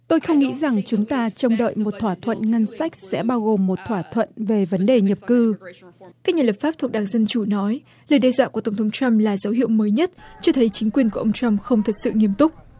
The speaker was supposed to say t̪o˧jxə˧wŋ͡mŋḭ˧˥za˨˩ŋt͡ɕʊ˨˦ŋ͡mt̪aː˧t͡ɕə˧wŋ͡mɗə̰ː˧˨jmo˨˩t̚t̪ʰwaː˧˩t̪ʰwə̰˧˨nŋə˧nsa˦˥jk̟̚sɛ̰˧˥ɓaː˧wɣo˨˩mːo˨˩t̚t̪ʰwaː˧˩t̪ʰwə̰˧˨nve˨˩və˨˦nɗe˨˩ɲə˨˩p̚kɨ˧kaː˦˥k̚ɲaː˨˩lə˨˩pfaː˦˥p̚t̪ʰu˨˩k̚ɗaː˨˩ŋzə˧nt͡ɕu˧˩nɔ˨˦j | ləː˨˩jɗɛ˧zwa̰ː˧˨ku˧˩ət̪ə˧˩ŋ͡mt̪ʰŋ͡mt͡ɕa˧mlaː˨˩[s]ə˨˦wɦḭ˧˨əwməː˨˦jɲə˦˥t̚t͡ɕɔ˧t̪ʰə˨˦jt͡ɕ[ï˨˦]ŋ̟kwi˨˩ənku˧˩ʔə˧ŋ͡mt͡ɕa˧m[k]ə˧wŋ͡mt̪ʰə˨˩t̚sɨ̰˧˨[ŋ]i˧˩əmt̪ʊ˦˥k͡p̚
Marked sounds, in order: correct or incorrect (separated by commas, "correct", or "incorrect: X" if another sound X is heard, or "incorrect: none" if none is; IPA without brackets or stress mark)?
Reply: incorrect: z, correct, incorrect: x, correct